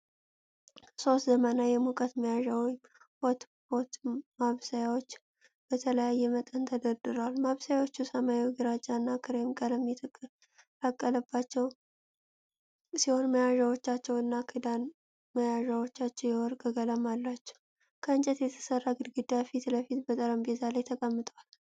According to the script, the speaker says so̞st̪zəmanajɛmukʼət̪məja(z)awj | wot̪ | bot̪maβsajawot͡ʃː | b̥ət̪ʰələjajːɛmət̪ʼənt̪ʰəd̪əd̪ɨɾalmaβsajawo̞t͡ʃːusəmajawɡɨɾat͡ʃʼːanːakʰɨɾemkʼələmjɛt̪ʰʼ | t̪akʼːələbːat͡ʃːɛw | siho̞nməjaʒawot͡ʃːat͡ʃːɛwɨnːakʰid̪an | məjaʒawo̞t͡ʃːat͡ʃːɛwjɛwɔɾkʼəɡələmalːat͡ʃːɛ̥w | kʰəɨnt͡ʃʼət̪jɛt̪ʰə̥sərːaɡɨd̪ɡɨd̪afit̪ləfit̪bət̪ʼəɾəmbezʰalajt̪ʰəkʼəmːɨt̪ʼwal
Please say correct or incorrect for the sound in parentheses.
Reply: incorrect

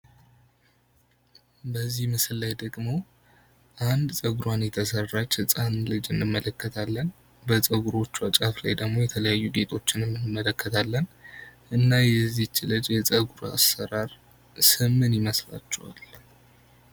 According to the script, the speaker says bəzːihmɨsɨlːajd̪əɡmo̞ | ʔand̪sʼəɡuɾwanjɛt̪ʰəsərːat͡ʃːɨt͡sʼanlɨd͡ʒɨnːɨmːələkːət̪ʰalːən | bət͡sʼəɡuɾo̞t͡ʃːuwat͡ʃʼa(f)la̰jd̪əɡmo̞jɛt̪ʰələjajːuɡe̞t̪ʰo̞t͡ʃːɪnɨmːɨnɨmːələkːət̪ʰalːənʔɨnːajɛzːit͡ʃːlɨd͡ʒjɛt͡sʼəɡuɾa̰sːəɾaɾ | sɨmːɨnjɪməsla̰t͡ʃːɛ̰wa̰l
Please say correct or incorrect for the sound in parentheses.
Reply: correct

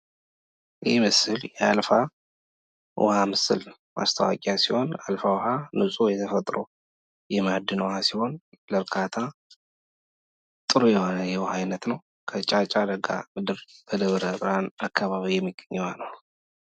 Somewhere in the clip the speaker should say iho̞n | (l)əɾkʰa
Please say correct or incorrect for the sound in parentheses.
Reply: correct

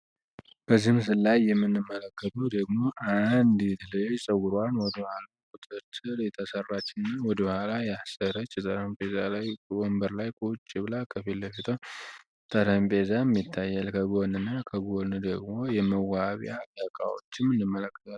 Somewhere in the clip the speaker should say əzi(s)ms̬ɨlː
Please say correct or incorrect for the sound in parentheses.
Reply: incorrect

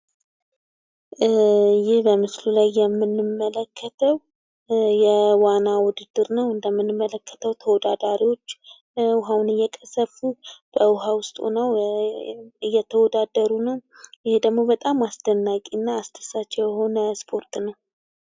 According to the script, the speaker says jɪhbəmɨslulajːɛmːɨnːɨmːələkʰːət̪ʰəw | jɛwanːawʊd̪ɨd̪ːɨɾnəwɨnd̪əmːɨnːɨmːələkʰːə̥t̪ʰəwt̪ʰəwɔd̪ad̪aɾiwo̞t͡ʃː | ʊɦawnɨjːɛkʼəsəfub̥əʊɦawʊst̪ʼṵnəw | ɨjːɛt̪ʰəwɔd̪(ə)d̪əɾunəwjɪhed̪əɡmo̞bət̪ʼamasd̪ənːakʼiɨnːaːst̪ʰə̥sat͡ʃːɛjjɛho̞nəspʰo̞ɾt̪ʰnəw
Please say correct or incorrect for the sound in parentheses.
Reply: incorrect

